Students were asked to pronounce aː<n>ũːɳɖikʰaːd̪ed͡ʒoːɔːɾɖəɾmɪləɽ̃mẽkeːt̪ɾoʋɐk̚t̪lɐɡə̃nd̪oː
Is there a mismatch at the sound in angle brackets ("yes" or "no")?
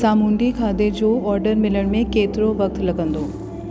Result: yes